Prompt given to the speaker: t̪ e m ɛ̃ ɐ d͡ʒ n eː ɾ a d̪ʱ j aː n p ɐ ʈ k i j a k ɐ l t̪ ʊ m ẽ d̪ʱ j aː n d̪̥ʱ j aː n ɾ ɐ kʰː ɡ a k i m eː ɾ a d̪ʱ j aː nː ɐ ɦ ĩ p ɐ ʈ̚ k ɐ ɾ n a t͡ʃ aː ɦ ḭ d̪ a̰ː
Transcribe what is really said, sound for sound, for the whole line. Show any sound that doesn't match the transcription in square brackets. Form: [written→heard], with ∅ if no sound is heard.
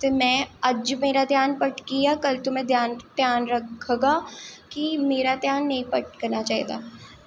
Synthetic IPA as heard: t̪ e m ɛ̃ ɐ d͡ʒ [n→m] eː ɾ a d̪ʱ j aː n p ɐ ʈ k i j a k ɐ l t̪ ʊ m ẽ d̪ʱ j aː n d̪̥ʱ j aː n ɾ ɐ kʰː ɡ a k i m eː ɾ a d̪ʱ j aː nː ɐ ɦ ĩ p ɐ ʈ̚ k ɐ ɾ n a t͡ʃ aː ɦ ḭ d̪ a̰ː